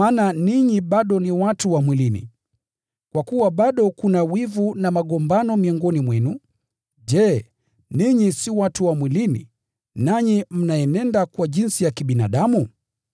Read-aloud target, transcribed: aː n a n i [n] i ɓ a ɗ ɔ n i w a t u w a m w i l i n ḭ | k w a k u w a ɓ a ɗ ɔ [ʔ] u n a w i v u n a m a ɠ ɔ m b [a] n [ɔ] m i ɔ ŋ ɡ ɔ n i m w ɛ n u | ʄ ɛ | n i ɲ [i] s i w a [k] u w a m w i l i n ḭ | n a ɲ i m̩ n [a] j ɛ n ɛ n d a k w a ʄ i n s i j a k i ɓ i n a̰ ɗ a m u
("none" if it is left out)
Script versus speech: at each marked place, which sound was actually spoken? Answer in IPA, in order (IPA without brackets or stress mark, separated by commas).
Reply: ɲ, k, a, ɔ, i, t, a